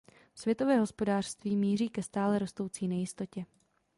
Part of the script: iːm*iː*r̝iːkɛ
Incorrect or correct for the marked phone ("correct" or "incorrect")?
correct